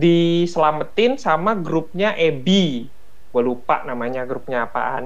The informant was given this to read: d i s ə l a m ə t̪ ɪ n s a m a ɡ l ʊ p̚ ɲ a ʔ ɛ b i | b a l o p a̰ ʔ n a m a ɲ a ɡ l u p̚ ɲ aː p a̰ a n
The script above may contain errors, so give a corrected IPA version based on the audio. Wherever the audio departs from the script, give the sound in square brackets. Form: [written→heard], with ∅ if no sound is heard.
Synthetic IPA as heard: d i s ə l a m ə t̪ ɪ n s a m a ɡ [l→ɾ] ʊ p̚ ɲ a ʔ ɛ b i | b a l [o→u] p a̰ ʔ n a m a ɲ a ɡ [l→ɾ] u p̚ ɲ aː p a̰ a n